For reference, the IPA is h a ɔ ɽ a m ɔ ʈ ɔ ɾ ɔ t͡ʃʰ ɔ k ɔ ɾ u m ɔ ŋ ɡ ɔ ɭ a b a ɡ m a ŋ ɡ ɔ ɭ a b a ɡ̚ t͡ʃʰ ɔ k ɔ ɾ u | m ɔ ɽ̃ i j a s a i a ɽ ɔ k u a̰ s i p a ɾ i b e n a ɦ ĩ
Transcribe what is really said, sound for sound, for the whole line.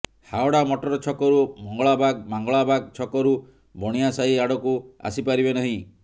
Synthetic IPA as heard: h a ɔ ɽ a m ɔ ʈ ɔ ɾ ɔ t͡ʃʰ ɔ k ɔ ɾ u m ɔ ŋ ɡ ɔ ɭ a b a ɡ m a ŋ ɡ ɔ ɭ a b a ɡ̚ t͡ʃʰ ɔ k ɔ ɾ u | b ɔ ɽ̃ i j a s a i a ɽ ɔ k u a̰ s i p a ɾ i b e n a ɦ ĩ